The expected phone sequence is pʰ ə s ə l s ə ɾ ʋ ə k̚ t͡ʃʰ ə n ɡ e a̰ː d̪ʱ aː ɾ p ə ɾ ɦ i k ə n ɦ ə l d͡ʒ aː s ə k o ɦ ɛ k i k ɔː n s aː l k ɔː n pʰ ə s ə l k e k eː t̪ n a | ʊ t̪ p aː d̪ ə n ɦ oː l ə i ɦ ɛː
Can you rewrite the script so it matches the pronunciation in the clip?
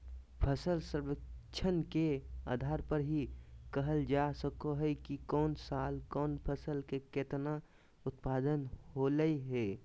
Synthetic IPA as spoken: pʰ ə s ə l s ə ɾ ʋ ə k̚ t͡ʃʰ ə n k e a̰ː d̪ʱ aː ɾ p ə ɾ ɦ i k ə ɦ ə l d͡ʒ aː s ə k o ɦ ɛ k i k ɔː n s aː l k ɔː n pʰ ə s ə l k e k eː t̪ n a | ʊ t̪ p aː d̪ ə n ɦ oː l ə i ɦ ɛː